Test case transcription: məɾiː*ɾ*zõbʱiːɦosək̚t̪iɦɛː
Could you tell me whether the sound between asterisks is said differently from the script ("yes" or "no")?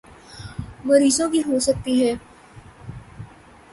yes